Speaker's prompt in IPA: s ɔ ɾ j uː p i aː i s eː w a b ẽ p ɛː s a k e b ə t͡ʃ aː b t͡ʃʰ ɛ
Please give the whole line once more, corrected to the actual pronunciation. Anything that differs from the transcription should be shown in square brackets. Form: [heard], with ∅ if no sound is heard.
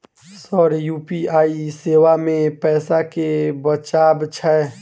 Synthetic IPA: s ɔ ɾ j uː p i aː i s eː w a [m] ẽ p ɛː s a k e b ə t͡ʃ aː b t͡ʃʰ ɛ